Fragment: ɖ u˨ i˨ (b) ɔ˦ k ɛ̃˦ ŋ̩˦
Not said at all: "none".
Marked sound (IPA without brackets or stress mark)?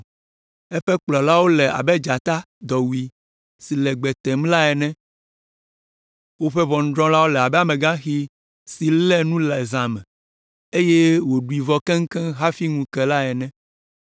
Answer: v